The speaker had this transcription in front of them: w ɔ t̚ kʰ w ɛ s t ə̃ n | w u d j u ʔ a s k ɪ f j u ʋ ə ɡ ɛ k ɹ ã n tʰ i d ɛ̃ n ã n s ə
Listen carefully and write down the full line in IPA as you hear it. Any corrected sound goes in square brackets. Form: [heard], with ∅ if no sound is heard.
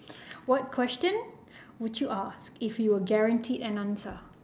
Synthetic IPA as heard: w ɔ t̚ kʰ w ɛ s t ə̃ n | w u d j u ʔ a s k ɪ f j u [w] ə ɡ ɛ [∅] ɹ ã n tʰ i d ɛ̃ n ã n s ə